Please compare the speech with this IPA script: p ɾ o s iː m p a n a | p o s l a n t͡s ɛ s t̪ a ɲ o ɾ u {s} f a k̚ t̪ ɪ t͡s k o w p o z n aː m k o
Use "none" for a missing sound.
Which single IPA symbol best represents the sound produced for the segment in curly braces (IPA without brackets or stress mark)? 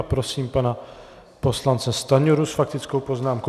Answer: s